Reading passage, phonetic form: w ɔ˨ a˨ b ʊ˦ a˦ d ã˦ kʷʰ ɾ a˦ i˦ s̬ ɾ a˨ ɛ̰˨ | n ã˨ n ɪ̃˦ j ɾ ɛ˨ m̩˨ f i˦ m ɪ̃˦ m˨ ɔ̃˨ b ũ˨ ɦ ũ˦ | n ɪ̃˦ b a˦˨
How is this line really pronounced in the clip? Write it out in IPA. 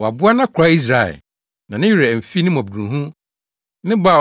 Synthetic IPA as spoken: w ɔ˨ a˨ b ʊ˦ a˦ n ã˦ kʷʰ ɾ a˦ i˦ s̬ ɾ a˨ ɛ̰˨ | n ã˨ n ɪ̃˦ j ɾ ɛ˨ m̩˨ f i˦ n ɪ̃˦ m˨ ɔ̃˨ b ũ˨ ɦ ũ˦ | n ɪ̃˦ b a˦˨